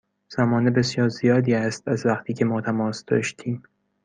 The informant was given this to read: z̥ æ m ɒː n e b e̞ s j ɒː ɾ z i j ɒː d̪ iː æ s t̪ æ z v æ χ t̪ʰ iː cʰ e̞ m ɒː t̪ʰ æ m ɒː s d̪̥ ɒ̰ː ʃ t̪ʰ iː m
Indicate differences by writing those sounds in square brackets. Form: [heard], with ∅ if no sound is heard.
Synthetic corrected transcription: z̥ æ m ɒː n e b e̞ s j ɒː ɾ z i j ɒː d̪ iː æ s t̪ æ z v æ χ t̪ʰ iː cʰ e̞ m ɒː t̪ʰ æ m ɒː s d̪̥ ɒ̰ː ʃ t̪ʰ iː m